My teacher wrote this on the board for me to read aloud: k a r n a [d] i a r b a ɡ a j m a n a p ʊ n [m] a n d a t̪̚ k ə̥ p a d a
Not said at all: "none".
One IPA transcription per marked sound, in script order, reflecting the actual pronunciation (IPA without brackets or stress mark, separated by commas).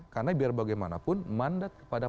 b, m